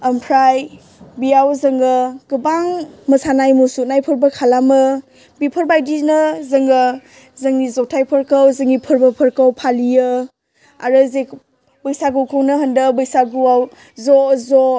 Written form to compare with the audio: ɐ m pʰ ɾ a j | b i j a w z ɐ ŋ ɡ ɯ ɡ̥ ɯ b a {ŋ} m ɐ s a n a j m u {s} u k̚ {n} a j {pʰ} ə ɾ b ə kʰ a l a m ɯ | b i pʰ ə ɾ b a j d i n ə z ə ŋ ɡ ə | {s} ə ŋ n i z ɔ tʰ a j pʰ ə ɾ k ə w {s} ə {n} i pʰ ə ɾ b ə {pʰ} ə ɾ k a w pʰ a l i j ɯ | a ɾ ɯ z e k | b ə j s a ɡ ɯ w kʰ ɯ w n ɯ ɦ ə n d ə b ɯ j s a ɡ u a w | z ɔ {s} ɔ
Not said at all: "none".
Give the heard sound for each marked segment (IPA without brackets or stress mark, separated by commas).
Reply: ŋ, s, n, pʰ, z, z, ŋ, pʰ, z